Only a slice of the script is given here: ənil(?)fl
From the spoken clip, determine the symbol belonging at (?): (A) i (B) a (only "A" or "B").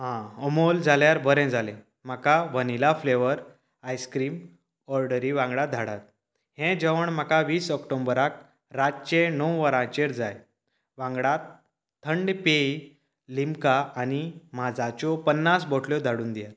B